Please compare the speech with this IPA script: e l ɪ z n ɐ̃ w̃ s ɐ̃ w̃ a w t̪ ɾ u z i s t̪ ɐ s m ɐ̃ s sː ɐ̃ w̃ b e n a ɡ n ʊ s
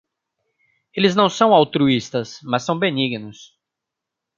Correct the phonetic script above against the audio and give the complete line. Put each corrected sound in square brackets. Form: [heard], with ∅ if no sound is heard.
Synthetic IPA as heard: e l ɪ z n ɐ̃ w̃ s ɐ̃ w̃ a w t̪ ɾ u [∅] i s t̪ ɐ s m [ɐ] s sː ɐ̃ w̃ b e n [i] ɡ n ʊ s